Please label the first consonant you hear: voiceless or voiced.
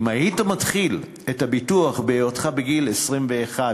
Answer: voiced